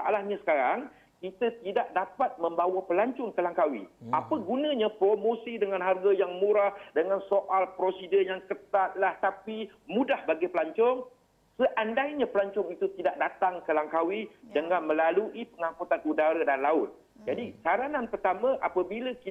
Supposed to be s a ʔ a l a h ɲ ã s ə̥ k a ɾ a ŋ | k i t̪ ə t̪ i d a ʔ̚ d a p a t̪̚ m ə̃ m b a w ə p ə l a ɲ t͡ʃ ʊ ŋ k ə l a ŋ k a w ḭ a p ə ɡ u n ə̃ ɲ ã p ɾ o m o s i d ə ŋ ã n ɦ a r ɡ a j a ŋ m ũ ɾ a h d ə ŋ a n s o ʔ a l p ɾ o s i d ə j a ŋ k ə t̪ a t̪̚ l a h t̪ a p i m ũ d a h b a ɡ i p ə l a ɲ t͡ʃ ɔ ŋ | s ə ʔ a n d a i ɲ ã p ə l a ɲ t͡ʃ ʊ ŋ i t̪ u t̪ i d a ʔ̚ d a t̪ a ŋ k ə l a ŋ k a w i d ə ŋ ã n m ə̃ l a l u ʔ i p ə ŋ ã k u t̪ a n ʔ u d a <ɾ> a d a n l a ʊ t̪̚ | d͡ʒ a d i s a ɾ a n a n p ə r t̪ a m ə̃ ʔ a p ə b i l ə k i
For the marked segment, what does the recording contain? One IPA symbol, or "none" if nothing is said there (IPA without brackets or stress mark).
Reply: ɾ